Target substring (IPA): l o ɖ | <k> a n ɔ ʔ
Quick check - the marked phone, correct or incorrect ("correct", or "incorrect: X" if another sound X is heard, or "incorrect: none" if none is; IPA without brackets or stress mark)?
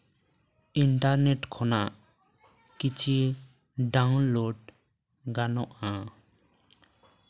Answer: incorrect: ɡ